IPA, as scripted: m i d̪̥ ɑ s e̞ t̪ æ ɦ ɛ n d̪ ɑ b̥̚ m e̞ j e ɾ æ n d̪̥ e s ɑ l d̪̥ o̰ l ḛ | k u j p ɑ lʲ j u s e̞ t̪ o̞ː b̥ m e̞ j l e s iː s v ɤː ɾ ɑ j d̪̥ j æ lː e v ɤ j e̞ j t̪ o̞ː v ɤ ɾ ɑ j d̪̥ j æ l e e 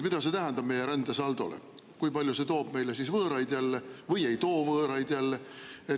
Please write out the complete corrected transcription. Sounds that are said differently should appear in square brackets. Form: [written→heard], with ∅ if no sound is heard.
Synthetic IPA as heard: m i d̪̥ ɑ s e̞ t̪ æ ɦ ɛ n d̪ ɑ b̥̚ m e̞ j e ɾ æ n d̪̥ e s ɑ l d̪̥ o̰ l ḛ | k u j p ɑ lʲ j u s e̞ t̪ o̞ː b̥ m e̞ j l e s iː s v ɤː ɾ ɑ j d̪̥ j æ lː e v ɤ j e̞ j t̪ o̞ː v [ɤ→ɤː] ɾ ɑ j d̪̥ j æ [l→lː] e e